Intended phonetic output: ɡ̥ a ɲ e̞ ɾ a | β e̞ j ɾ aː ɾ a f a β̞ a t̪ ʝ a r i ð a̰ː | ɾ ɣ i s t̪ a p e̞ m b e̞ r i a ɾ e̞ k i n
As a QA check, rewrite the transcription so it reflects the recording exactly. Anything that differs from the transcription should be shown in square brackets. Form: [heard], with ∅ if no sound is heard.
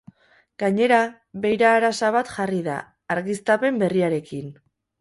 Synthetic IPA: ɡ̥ a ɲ e̞ ɾ a | β e̞ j ɾ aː ɾ a [s] a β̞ a t̪ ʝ a r i ð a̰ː | ɾ ɣ i s t̪ a p e̞ m b e̞ r i a ɾ e̞ k i n